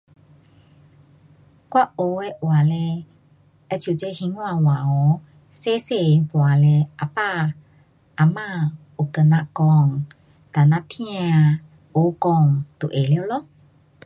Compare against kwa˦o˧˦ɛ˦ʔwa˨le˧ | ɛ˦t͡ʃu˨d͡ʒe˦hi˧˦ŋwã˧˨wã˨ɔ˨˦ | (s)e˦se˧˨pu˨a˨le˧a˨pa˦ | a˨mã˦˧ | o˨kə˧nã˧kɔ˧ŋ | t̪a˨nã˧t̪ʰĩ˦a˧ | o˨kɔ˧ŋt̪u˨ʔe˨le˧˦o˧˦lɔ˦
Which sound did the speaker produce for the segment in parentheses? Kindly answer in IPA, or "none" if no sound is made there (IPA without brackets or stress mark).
s